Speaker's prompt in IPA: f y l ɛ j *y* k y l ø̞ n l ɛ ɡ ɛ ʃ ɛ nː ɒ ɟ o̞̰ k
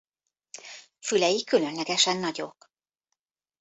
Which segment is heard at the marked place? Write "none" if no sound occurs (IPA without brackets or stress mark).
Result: i